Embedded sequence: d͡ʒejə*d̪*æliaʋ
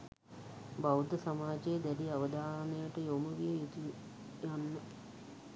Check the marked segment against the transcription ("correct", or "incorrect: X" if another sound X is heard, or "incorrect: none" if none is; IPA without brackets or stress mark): correct